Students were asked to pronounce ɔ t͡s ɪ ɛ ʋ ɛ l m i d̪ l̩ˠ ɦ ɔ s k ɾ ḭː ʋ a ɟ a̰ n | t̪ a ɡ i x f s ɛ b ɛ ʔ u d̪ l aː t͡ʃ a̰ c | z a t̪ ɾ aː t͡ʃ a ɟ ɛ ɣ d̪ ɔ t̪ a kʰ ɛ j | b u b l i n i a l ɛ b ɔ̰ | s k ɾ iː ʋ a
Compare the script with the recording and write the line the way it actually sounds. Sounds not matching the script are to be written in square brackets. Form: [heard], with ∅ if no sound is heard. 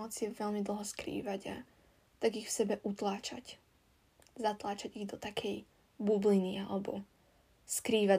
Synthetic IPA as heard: ɔ t͡s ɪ ɛ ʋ ɛ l m i d̪ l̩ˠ ɦ ɔ s k ɾ ḭː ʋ a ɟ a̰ [∅] | t̪ a ɡ i x f s ɛ b ɛ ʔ u [t̪] l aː t͡ʃ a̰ c | z a t̪ [l] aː t͡ʃ a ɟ [i] ɣ d̪ ɔ t̪ a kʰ ɛ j | b u b l i n i a l ɛ b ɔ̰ | s k ɾ iː ʋ a